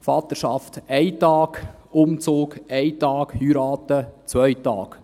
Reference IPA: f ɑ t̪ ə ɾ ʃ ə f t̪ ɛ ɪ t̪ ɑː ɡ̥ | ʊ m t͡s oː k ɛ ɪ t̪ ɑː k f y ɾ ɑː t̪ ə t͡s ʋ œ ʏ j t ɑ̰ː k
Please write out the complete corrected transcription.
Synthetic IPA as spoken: f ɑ t̪ ə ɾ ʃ ɑ f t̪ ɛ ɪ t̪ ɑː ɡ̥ | ʊ m t͡s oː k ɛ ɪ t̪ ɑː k h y ɾ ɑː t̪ ə t͡s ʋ œ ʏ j t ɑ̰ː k